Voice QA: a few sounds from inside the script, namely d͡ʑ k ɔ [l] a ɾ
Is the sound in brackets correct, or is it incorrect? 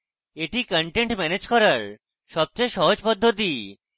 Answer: incorrect